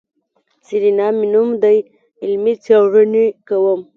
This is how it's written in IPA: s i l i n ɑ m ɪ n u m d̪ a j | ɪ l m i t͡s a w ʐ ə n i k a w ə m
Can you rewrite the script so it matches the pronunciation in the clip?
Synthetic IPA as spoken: s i ɾ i n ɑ m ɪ n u m d̪ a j | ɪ l m i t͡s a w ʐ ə n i k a w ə m